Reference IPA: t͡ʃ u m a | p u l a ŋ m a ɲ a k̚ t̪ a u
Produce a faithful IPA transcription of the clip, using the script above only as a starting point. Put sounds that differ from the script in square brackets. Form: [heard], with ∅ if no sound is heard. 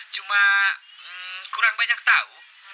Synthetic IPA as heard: t͡ʃ u m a | [k] u [ɾ] a ŋ [b] a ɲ a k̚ t̪ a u